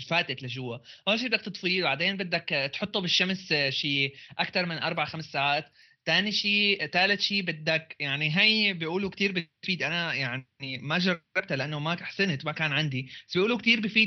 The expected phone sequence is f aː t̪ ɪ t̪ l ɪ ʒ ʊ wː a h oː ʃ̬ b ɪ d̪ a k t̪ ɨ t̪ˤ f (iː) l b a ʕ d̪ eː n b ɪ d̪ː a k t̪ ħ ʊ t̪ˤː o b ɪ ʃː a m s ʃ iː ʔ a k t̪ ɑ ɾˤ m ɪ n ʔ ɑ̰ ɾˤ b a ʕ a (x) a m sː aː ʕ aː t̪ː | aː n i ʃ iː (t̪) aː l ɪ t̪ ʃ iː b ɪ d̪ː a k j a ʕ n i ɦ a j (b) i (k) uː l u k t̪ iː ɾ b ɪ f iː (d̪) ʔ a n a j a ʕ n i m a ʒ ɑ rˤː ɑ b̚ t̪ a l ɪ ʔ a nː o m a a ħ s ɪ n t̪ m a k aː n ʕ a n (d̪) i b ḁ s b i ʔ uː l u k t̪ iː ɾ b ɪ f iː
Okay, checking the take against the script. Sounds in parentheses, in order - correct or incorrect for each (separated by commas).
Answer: correct, correct, correct, correct, incorrect, correct, correct